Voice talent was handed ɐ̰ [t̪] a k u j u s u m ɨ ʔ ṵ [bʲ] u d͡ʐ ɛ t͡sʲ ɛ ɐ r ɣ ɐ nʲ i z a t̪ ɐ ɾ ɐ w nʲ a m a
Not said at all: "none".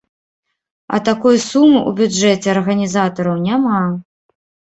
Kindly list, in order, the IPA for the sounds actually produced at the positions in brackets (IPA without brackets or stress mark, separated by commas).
t̪, bʲ